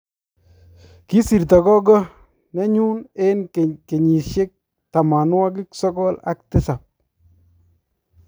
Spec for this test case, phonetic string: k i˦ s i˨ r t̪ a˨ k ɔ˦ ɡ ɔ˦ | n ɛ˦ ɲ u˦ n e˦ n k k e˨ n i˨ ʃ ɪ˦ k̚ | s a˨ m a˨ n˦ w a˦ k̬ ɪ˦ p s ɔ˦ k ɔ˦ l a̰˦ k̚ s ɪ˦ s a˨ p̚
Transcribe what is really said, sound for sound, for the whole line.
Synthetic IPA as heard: k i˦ s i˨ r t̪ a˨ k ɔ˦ ɡ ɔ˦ | n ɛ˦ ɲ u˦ n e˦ n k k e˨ ɲ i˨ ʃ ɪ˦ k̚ | t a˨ m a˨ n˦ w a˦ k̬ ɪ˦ k s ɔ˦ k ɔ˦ l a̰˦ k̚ t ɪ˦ s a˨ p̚